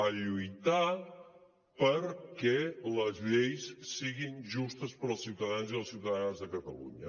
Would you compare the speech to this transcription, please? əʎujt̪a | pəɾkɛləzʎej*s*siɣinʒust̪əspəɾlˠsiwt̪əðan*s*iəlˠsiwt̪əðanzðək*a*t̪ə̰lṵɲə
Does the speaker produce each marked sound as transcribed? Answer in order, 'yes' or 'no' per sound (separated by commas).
yes, no, no